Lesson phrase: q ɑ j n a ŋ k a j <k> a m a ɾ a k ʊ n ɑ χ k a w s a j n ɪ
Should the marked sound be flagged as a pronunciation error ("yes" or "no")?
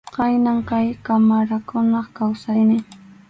no